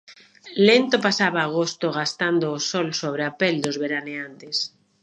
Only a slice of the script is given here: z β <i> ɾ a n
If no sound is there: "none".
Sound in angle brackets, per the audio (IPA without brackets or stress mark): e